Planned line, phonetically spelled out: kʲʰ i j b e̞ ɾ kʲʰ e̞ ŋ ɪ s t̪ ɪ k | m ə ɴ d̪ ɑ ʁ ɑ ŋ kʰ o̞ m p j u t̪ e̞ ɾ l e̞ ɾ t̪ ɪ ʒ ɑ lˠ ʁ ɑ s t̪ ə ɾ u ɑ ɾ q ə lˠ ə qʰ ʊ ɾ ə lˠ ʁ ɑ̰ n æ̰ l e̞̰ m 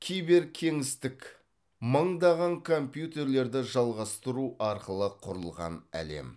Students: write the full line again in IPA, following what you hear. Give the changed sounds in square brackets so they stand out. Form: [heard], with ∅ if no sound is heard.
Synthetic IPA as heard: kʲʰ i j b e̞ ɾ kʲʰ e̞ ŋ ɪ s t̪ ɪ k | m ə ɴ d̪ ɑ ʁ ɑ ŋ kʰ o̞ m p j u t̪ e̞ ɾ l e̞ ɾ [d̪] ɪ ʒ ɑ lˠ ʁ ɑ s t̪ ə ɾ u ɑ ɾ q ə lˠ ə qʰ ʊ ɾ ə lˠ ʁ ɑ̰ n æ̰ l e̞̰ m